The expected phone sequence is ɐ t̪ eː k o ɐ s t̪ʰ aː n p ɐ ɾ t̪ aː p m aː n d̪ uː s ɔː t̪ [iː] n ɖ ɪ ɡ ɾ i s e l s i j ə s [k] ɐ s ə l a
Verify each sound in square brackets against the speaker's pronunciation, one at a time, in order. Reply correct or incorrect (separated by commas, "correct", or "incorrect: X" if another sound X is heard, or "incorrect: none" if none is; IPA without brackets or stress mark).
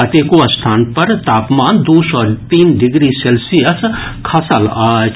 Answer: correct, incorrect: kʰ